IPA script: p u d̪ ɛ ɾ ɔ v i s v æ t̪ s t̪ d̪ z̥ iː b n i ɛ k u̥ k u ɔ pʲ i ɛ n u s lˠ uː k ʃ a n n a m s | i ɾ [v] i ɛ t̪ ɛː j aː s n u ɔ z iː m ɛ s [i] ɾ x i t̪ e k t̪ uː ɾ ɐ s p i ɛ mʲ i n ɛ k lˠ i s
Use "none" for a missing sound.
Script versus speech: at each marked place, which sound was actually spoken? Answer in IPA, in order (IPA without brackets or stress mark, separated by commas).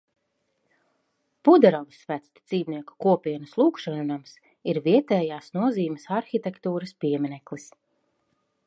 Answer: v, a